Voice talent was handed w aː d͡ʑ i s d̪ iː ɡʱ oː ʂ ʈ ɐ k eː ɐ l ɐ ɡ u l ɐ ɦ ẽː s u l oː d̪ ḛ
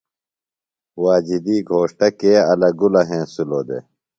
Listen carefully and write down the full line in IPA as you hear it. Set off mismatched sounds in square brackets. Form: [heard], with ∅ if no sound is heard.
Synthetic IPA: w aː d͡ʑ i [∅] d̪ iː ɡʱ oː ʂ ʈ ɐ k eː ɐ l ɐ ɡ u l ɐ ɦ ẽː s u l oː d̪ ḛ